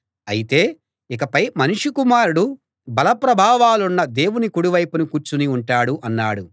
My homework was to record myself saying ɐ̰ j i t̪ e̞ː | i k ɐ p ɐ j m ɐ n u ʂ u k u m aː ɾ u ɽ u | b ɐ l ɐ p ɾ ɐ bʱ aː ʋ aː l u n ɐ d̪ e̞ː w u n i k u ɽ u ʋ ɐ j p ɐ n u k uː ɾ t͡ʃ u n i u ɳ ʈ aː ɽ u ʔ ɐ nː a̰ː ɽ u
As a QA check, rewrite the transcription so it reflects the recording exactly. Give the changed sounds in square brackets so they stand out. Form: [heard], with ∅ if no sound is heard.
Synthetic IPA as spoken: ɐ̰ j i t̪ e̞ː | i k ɐ p ɐ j m ɐ n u ʂ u k u m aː ɾ u ɽ u | b ɐ l ɐ p ɾ ɐ bʱ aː ʋ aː l u [nː] ɐ d̪ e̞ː w u n i k u ɽ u ʋ ɐ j p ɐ n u k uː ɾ t͡ʃ u n i u ɳ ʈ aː ɽ u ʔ ɐ nː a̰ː ɽ u